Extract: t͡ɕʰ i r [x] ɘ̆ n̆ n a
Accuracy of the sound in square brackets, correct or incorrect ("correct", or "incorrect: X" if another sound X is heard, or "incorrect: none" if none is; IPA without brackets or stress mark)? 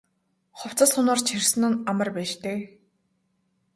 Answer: incorrect: s